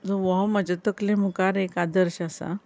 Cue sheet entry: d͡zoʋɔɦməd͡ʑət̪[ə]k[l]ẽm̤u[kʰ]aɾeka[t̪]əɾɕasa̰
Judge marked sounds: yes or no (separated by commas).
yes, yes, no, no